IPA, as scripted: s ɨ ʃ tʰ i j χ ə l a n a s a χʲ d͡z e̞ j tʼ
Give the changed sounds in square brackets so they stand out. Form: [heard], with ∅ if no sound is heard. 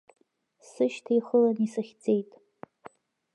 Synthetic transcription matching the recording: s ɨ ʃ tʰ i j χ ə l a n [i] s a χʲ d͡z e̞ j tʼ